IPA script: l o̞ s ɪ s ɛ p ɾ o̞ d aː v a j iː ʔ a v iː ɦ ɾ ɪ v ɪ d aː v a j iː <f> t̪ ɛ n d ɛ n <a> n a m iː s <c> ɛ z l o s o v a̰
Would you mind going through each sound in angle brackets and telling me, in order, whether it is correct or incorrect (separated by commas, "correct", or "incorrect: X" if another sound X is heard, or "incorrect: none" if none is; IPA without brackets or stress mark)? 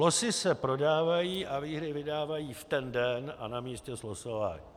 correct, correct, correct